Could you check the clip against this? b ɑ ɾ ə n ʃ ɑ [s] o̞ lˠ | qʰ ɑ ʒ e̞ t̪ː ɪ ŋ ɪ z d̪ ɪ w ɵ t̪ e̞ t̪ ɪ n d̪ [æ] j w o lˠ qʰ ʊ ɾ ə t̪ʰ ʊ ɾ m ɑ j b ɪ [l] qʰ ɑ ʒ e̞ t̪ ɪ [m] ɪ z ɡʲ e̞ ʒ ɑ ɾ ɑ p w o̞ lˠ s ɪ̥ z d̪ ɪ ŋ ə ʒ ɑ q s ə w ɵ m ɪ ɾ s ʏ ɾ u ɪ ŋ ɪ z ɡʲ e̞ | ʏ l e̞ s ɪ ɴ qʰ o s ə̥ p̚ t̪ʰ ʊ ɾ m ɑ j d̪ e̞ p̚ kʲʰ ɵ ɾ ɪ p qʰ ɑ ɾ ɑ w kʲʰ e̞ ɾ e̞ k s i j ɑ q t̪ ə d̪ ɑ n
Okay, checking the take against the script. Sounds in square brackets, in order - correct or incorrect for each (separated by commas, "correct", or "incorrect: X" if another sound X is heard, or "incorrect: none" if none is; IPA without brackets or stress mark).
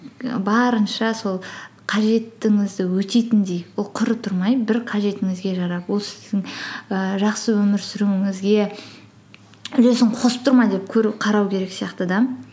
correct, incorrect: e, incorrect: ɾ, incorrect: ŋ